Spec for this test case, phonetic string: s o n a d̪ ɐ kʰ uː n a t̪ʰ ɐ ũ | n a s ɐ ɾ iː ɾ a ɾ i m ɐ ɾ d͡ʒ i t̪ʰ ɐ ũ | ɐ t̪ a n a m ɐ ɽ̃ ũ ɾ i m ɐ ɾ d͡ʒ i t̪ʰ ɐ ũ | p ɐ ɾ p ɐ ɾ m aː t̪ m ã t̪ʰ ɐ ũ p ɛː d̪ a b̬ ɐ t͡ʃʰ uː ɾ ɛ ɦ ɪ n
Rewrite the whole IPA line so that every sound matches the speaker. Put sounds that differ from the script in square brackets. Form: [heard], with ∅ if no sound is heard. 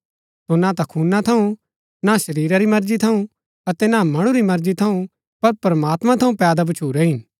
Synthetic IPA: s o n a [t̪] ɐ kʰ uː n a t̪ʰ ɐ ũ | n a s ɐ ɾ iː ɾ a ɾ i m ɐ ɾ d͡ʒ i t̪ʰ ɐ ũ | ɐ t̪ [ɛ] n a m ɐ ɽ̃ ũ ɾ i m ɐ ɾ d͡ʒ i t̪ʰ ɐ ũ | p ɐ ɾ p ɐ ɾ m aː t̪ m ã t̪ʰ ɐ ũ p ɛː d̪ a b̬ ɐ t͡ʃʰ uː ɾ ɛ ɦ ɪ n